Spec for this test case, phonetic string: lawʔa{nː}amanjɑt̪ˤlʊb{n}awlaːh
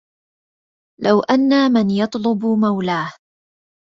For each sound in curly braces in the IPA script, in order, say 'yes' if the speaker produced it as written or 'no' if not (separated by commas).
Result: yes, no